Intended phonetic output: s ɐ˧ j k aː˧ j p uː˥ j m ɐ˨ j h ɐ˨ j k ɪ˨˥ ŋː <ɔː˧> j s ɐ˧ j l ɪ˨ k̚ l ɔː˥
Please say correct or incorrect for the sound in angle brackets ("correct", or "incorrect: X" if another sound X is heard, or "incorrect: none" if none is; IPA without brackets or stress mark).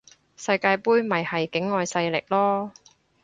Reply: correct